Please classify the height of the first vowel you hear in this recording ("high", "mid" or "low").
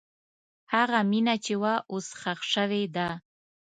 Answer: low